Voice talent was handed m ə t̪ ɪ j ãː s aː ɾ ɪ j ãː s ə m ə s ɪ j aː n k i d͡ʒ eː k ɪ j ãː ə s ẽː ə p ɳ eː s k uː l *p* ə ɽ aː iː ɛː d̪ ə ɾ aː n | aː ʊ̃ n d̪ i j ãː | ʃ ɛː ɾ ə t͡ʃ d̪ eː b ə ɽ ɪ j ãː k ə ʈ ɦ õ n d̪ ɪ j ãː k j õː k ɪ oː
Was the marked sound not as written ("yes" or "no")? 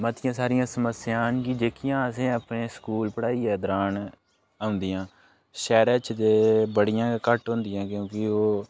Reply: no